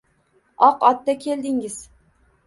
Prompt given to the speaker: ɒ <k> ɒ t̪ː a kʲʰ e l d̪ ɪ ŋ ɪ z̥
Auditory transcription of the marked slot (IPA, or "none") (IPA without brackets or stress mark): q